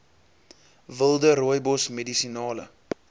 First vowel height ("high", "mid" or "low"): mid